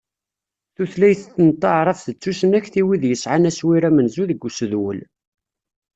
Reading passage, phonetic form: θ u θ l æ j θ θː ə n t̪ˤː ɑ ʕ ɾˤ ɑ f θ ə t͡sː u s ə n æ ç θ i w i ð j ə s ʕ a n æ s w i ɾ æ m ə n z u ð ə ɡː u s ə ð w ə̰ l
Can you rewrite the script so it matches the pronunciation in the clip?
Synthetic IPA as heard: θ u θ l æ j θ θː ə n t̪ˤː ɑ ʕ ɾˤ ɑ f θ ə t͡sː u s ə n æ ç θ i w i ð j ə s ʕ a n æ s w i ɾ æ m ə n z u ð ə ɡː u s ə ð w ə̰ l